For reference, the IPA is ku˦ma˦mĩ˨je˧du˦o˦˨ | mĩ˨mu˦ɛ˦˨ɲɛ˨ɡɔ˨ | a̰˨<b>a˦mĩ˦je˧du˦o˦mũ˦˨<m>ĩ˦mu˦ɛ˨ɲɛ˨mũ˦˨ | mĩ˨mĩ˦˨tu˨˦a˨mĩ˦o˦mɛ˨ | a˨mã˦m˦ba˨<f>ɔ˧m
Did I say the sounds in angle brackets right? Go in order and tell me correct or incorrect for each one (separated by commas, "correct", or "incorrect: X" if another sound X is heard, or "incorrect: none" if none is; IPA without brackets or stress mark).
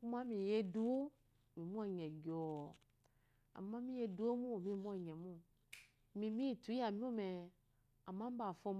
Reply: incorrect: m, correct, correct